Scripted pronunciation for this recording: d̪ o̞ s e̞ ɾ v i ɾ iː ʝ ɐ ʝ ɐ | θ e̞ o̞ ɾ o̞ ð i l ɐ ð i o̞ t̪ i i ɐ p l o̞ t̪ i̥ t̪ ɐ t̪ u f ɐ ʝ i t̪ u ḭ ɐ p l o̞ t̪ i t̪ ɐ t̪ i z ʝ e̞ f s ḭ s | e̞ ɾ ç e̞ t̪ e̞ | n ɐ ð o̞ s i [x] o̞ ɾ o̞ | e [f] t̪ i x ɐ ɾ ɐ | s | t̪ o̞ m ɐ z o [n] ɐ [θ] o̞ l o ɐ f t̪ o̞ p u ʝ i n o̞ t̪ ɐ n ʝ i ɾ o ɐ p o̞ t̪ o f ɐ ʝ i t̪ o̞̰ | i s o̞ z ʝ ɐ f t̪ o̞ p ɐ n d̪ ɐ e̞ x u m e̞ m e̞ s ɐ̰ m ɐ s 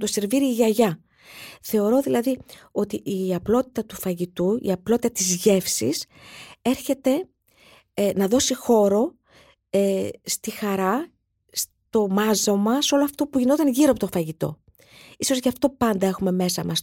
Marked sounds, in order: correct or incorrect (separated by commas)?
correct, incorrect, incorrect, incorrect